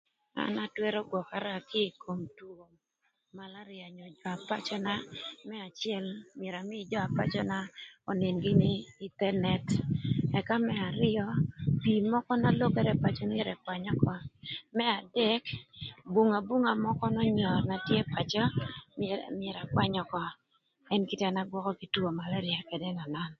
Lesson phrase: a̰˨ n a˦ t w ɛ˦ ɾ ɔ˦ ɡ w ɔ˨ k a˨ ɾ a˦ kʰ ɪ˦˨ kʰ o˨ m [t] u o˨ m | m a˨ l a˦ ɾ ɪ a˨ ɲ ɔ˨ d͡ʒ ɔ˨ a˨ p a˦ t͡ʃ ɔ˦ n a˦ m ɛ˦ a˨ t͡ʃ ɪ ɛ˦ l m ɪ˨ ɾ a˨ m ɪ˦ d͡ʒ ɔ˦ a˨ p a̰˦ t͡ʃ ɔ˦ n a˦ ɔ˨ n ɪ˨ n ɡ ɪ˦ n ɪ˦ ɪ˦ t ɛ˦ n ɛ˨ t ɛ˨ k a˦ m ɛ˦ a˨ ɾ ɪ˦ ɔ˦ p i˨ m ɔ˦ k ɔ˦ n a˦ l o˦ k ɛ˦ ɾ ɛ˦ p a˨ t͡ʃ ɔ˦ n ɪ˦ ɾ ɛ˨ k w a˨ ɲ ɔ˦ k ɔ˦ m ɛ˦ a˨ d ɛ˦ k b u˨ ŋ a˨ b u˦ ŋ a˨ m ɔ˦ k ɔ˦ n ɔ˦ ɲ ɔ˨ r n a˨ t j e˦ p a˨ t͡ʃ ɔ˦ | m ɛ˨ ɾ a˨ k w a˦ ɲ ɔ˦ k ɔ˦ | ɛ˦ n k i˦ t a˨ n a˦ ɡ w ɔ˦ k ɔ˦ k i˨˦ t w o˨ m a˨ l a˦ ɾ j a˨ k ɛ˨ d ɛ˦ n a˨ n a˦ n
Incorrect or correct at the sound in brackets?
correct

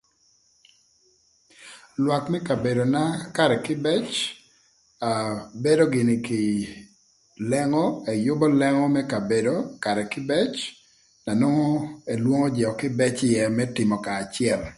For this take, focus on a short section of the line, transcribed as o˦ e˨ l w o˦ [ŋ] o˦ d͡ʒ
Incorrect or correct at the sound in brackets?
correct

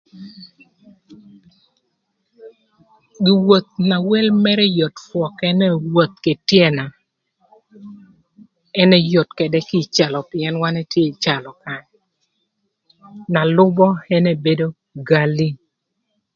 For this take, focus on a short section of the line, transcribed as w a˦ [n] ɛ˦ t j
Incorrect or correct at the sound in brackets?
correct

